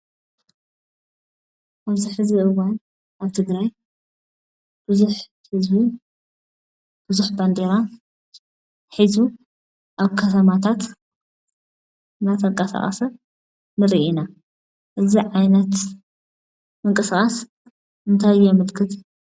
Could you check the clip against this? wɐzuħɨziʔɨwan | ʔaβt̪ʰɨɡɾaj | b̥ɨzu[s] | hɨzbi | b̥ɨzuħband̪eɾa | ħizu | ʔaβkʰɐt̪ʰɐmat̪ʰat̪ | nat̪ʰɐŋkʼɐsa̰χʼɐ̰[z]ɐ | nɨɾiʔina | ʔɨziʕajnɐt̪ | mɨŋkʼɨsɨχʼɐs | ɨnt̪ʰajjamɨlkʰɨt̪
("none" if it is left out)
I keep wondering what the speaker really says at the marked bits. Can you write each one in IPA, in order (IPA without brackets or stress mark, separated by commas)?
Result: ħ, s